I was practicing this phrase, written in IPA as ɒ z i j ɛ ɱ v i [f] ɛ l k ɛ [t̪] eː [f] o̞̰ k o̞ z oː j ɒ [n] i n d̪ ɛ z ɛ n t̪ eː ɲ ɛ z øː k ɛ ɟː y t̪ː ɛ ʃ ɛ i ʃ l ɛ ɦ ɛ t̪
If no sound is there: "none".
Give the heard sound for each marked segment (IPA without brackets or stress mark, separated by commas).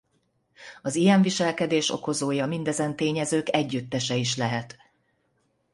ʃ, d̪, ʃ, m